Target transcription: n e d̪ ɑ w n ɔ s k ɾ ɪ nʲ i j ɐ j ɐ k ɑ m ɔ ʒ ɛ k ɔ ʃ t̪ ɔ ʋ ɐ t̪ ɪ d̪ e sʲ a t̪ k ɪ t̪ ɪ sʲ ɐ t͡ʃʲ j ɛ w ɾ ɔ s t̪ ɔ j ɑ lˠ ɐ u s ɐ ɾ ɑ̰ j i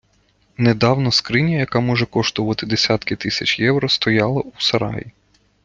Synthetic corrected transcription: n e d̪ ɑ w n ɔ s k ɾ ɪ nʲ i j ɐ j ɐ k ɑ m ɔ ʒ ɛ k ɔ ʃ t̪ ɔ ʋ ɐ t̪ ɪ d̪ e sʲ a t̪ k ɪ t̪ ɪ sʲ ɐ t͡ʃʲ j ɛ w ɾ ɔ s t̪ ɔ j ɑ lˠ ɐ u s ɐ ɾ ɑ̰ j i